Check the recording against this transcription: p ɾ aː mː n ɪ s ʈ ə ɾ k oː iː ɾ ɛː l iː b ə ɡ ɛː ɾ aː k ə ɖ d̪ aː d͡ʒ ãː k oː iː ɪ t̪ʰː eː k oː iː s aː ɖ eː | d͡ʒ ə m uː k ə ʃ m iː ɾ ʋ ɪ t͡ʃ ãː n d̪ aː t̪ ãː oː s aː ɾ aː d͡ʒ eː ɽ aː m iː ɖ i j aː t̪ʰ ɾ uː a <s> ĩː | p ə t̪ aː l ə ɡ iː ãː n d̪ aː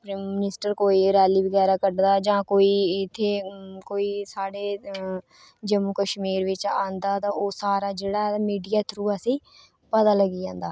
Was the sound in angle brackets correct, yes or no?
yes